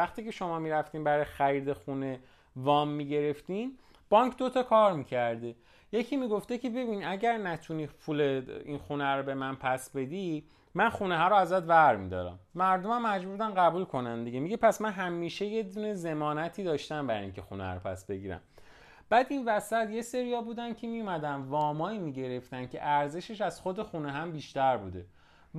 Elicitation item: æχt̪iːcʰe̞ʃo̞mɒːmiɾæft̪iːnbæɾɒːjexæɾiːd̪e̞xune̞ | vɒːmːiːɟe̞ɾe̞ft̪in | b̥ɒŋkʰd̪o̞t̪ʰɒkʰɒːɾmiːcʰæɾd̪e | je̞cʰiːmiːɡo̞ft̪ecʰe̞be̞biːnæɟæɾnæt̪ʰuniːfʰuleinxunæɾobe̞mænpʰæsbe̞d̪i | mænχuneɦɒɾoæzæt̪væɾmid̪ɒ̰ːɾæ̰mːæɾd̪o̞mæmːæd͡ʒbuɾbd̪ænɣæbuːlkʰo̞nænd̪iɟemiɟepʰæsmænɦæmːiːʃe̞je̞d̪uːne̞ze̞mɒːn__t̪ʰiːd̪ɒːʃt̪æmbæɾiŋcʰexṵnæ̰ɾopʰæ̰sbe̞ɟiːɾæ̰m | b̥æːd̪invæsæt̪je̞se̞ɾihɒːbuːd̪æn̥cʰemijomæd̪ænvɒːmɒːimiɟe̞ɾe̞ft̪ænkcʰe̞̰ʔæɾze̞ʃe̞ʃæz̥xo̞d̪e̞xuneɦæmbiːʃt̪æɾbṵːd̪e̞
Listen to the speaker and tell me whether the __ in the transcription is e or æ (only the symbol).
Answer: æ